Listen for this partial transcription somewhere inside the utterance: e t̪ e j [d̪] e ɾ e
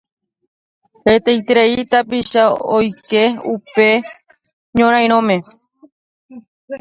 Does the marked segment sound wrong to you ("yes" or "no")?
yes